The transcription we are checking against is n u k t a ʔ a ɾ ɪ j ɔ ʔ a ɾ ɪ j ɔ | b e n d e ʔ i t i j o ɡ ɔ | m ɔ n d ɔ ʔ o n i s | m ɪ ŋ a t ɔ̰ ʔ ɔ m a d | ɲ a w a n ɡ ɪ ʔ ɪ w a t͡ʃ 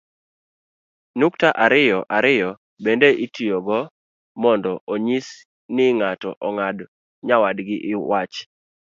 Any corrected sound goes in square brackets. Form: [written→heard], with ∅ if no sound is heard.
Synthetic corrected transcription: n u k t a ʔ a ɾ ɪ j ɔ ʔ a ɾ ɪ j ɔ | b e n d e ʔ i t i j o ɡ ɔ | m ɔ n d ɔ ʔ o [n→ɲ] i s | [m→n] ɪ ŋ a t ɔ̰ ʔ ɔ [m→ŋ] a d | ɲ a w a [n→d] ɡ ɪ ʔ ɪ w a t͡ʃ